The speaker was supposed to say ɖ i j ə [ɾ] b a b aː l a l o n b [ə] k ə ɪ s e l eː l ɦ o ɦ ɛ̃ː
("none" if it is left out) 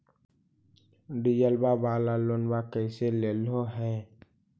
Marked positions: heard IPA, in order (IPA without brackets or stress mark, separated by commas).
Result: l, a